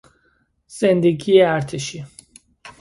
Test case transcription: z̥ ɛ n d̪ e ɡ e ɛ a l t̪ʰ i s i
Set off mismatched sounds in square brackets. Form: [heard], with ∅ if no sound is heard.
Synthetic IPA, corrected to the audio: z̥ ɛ n d̪ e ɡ [i] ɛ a [ɾ] t̪ʰ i [ʃ] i